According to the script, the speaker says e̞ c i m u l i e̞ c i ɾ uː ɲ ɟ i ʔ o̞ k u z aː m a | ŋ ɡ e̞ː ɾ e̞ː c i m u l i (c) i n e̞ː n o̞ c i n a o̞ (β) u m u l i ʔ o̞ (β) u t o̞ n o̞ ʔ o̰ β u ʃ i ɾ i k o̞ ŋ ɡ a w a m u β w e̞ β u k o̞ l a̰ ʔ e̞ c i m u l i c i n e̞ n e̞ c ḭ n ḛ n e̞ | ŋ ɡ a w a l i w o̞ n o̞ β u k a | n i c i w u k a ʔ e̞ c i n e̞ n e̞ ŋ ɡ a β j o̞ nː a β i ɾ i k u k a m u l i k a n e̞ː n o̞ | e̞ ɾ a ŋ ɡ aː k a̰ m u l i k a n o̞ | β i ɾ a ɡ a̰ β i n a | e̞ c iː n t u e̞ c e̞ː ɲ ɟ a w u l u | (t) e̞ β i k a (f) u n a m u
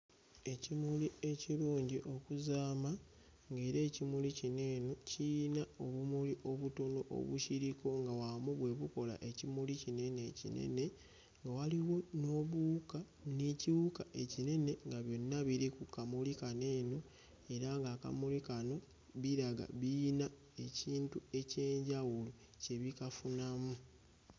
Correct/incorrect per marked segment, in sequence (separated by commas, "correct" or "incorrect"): correct, correct, correct, incorrect, correct